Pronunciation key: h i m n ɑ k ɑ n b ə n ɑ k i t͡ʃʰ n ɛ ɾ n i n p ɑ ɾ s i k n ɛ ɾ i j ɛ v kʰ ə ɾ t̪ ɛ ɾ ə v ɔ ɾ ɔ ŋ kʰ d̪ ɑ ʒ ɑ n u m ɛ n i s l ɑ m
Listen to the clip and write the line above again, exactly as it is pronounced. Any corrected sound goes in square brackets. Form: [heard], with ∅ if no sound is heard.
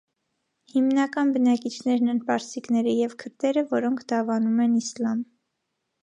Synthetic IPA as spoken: h i m n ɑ k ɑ n b ə n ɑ k i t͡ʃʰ n ɛ ɾ n [ɛ] n p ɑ ɾ s i k n ɛ ɾ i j ɛ v kʰ ə ɾ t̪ ɛ ɾ ə v ɔ ɾ ɔ ŋ kʰ d̪ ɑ [v] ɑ n u m ɛ n i s l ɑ m

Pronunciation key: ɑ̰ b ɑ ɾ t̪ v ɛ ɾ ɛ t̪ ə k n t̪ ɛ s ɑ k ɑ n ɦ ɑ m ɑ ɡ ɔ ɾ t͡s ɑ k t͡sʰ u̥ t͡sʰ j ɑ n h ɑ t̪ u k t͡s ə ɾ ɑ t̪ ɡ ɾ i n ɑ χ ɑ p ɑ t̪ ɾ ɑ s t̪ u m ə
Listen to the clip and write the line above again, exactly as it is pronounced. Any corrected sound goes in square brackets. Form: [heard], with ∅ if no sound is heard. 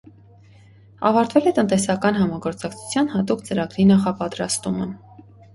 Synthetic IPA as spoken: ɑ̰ [v] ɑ ɾ t̪ v ɛ [l] ɛ t̪ ə [∅] n t̪ ɛ s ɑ k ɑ n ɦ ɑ m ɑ ɡ ɔ ɾ t͡s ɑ k t͡sʰ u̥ t͡sʰ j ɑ n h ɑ t̪ u k t͡s ə ɾ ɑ [∅] ɡ ɾ i n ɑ χ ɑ p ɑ t̪ ɾ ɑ s t̪ u m ə

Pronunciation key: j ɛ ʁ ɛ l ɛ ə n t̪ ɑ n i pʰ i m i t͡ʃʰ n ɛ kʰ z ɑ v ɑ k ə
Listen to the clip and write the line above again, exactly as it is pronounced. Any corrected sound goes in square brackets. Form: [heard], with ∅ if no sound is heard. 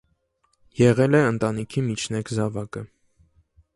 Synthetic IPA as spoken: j ɛ ʁ ɛ l ɛ ə n t̪ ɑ n i [kʰ] i m i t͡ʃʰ n ɛ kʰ z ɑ v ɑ k ə

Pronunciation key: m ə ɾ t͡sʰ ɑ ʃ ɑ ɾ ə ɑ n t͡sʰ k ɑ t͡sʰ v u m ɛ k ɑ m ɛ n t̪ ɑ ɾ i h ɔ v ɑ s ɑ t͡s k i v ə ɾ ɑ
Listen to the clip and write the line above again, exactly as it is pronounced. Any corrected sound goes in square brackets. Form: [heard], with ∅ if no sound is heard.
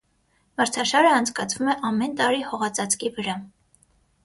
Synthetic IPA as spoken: m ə ɾ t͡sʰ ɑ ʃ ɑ ɾ ə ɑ n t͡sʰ k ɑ t͡sʰ v u m ɛ [ʔ] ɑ m ɛ n t̪ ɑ ɾ i h ɔ [ʁ] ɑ [t͡s] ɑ t͡s k i v ə ɾ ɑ

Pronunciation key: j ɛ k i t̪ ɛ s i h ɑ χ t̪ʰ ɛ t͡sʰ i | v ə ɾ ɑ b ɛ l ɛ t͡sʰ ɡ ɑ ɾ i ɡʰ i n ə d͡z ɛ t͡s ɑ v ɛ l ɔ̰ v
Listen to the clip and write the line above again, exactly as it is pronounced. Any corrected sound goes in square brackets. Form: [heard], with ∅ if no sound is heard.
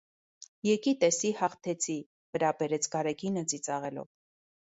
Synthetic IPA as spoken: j ɛ k i t̪ ɛ s i h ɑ χ t̪ʰ ɛ t͡sʰ i | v ə ɾ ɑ b ɛ [ɾ] ɛ t͡sʰ ɡ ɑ ɾ [ɛ] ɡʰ i n ə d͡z [i] t͡s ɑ [ʁ] ɛ l ɔ̰ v

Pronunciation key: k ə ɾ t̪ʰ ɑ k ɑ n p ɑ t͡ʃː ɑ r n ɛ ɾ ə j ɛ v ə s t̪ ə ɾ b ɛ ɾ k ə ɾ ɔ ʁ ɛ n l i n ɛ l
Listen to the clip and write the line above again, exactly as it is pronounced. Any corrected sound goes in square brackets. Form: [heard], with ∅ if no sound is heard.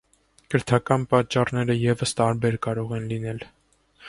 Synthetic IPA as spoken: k ə ɾ t̪ʰ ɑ k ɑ n p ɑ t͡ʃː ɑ r n ɛ ɾ ə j ɛ v ə s t̪ [ɑ] ɾ b ɛ ɾ k [ɑ] ɾ ɔ ʁ ɛ n l i n ɛ l

